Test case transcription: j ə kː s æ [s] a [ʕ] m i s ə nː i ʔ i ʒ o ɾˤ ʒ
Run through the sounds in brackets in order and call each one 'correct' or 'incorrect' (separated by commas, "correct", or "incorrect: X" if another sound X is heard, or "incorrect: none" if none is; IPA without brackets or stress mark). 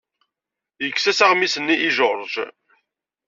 correct, incorrect: ʁ